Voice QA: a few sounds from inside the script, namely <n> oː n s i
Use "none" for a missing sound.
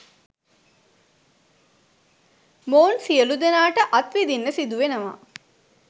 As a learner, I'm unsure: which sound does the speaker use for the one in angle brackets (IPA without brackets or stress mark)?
m